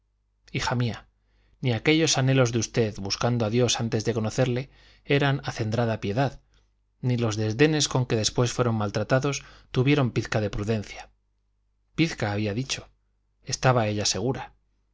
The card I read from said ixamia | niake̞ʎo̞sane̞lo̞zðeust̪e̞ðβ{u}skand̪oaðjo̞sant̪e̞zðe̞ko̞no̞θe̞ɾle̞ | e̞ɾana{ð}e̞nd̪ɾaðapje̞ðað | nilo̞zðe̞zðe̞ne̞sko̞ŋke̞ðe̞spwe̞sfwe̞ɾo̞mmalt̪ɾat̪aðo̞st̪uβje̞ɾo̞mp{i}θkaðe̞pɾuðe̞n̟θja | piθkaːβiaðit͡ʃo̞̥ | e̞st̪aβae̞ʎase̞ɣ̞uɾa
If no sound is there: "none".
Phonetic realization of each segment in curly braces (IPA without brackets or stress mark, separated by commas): u, θ, i